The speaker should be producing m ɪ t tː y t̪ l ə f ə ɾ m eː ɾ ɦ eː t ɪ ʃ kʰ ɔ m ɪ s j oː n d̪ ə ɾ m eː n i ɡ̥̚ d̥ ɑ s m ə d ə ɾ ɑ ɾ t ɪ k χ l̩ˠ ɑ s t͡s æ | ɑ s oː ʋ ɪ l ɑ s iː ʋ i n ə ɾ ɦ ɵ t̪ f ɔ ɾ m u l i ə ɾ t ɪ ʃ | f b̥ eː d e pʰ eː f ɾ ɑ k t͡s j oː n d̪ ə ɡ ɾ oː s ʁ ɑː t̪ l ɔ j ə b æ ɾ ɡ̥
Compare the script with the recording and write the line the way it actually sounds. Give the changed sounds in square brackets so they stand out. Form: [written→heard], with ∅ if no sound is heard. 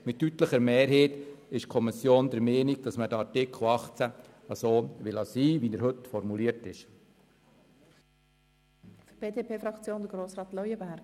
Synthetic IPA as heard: m ɪ t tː y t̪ l ə [f→χ] ə ɾ m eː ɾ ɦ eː t ɪ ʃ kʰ ɔ m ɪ s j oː n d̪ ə ɾ m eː n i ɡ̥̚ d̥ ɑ s m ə d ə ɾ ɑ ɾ t ɪ k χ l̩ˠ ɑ [s→χ] t͡s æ | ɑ s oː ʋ ɪ l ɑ s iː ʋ i n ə ɾ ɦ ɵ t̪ f ɔ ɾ m u l i ə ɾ t ɪ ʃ | f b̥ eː d e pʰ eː f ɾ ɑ k t͡s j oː n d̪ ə ɡ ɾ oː s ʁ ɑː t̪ l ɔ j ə b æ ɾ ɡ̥